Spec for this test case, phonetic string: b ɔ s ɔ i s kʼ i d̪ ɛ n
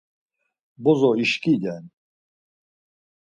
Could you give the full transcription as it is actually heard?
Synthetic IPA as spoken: b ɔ z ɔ i ʃ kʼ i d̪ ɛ n